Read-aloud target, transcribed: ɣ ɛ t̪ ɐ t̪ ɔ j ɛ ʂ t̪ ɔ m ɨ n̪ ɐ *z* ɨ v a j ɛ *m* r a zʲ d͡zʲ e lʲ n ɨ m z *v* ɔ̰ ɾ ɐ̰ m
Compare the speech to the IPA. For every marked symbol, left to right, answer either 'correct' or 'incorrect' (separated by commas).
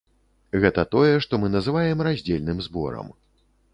correct, correct, incorrect